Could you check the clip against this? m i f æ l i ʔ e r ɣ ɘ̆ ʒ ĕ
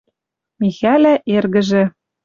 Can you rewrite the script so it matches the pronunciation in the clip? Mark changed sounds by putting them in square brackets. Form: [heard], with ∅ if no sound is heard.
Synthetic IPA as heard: m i [x] æ l [æ] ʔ e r ɣ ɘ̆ ʒ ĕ